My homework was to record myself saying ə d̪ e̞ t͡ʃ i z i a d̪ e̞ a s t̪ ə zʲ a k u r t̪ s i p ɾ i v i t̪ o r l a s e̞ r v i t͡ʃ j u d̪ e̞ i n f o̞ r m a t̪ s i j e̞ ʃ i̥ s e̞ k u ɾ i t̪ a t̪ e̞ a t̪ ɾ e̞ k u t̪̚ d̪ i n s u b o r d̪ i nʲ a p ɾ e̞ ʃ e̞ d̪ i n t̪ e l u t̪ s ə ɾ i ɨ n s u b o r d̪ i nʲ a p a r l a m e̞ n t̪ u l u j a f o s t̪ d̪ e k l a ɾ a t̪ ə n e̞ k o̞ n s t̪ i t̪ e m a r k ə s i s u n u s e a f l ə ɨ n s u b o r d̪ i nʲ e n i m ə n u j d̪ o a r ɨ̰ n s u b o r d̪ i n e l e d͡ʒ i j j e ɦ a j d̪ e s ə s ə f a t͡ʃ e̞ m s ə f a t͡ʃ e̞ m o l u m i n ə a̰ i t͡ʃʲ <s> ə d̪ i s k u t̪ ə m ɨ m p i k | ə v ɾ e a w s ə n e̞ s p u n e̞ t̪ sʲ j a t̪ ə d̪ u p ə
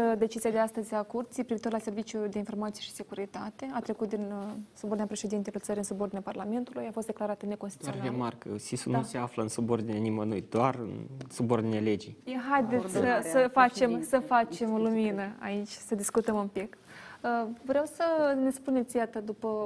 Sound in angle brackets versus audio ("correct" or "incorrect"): correct